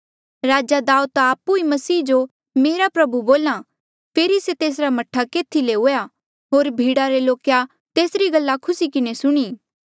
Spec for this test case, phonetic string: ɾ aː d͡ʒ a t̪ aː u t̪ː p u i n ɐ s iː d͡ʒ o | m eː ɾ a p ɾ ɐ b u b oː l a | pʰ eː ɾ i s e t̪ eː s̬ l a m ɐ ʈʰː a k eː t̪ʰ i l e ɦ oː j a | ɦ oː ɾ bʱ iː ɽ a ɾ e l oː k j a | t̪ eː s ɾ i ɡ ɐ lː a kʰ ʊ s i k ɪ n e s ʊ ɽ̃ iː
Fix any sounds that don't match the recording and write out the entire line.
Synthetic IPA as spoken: ɾ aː d͡ʒ a d̪ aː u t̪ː p u i m ɐ s iː d͡ʒ o | m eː ɾ a p ɾ ɐ b u b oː l a | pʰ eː ɾ i s e t̪ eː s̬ ɾ a m ɐ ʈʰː a k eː t̪ʰ i l e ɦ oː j a | ɦ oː ɾ bʱ iː ɽ a ɾ e l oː k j a | t̪ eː s ɾ i ɡ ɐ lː a kʰ ʊ s i k ɪ n e s ʊ ɽ̃ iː

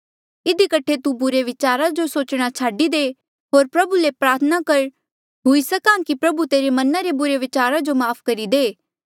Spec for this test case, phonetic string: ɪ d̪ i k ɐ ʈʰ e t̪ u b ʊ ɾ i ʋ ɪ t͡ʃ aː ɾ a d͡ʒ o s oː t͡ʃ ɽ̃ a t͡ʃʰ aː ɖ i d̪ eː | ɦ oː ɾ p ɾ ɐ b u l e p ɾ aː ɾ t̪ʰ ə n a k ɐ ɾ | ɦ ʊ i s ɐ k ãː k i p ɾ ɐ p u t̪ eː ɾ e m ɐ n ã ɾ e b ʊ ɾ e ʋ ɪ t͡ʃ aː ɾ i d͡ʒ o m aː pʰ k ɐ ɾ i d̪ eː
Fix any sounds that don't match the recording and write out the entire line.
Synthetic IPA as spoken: ɪ d̪ i k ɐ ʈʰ e t̪ u b ʊ ɾ e ʋ ɪ t͡ʃ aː ɾ a d͡ʒ o s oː t͡ʃ ɽ̃ a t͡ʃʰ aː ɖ i d̪ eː | ɦ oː ɾ p ɾ ɐ b u l e p ɾ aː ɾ t̪ʰ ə n a k ɐ ɾ | ɦ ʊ i s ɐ k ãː k i p ɾ ɐ b u t̪ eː ɾ e m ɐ n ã ɾ e b ʊ ɾ e ʋ ɪ t͡ʃ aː ɾ a d͡ʒ o m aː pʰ k ɐ ɾ i d̪ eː

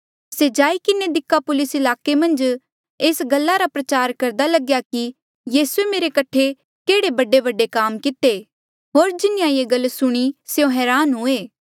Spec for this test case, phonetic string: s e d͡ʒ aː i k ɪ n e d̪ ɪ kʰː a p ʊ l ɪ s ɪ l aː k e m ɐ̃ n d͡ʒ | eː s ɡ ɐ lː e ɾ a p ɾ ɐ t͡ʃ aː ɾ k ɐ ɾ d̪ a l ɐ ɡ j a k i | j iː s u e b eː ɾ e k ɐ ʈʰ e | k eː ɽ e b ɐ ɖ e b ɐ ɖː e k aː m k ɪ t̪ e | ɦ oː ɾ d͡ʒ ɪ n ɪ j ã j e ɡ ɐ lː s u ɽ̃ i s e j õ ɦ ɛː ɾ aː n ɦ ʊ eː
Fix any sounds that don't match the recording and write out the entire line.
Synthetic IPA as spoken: s e d͡ʒ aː i k ɪ n e d̪ ɪ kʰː a p ʊ l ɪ s ɪ l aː k e m ɐ̃ n d͡ʒ | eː s ɡ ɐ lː a ɾ a p ɾ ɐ t͡ʃ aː ɾ k ɐ ɾ d̪ a l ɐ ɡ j a k i | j iː s u e m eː ɾ e k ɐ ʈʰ e | k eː ɽ e b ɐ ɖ e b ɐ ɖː e k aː m k ɪ t̪ e | ɦ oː ɾ d͡ʒ ɪ n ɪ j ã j e ɡ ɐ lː s ʊ ɽ̃ i s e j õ ɦ ɛː ɾ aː n ɦ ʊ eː

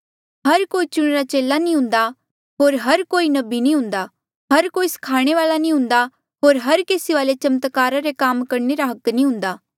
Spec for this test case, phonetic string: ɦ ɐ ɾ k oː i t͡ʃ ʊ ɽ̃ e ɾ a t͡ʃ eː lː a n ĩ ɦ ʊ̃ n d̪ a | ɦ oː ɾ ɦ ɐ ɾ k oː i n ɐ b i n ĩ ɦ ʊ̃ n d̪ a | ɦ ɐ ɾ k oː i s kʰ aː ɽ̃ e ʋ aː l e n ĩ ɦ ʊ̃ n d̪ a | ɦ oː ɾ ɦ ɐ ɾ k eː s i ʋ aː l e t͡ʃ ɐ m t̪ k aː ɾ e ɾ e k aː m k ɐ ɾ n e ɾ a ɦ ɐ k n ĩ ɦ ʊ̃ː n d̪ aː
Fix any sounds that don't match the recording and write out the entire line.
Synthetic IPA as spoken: ɦ ɐ ɾ k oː i t͡ʃ ʊ ɽ̃ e ɾ a t͡ʃ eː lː a n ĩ ɦ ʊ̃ n d̪ a | ɦ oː ɾ ɦ ɐ ɾ k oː i n ɐ b i n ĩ ɦ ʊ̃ n d̪ a | ɦ ɐ ɾ k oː i s kʰ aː ɽ̃ e ʋ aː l a n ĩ ɦ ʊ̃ n d̪ a | ɦ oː ɾ ɦ ɐ ɾ k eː s i ʋ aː l e t͡ʃ ɐ m t̪ k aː ɾ a ɾ e k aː m k ɐ ɾ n e ɾ a ɦ ɐ k n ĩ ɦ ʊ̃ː n d̪ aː

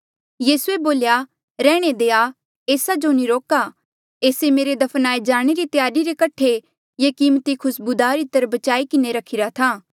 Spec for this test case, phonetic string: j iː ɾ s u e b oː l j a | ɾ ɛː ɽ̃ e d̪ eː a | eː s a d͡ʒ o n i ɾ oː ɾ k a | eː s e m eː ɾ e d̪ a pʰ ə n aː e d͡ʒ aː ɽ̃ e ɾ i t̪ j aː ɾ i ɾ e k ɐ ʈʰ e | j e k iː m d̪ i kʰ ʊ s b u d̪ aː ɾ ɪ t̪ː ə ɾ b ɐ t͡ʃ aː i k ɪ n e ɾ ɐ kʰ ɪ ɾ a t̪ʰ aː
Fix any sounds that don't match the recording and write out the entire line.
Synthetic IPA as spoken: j iː s u e b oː l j a | ɾ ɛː ɽ̃ e d̪ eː a | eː s a d͡ʒ o n i ɾ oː k a | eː s e m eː ɾ e d̪ ɐ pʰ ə n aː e d͡ʒ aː ɽ̃ e ɾ i t̪ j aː ɾ i ɾ e k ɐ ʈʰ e | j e k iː m t̪ i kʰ ʊ s b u d̪ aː ɾ ɪ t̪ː ə ɾ b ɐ t͡ʃ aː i k ɪ n e ɾ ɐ kʰ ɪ ɾ a t̪ʰ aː

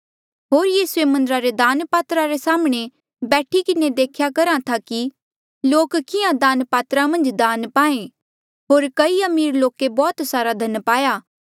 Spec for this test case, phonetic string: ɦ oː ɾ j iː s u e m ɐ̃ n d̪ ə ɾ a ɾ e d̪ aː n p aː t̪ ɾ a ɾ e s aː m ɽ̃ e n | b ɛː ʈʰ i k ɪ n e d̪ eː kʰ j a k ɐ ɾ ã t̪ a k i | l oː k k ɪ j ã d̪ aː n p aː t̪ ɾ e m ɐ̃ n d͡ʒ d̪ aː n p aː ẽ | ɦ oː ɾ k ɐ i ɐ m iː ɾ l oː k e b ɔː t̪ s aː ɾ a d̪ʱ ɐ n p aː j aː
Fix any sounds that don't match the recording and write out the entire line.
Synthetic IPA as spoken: ɦ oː ɾ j iː s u e m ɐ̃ n d̪ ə ɾ a ɾ e d̪ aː n p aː t̪ ɾ a ɾ e s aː m ɽ̃ e | b ɛː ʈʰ i k ɪ n e d̪ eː kʰ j a k ɐ ɾ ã t̪ʰ a k i | l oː k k ɪ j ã d̪ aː n p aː t̪ ɾ a m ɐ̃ n d͡ʒ d̪ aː n p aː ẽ | ɦ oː ɾ k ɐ i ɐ m iː ɾ l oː k e b ɔː t̪ s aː ɾ a d̪ʱ ɐ n p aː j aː

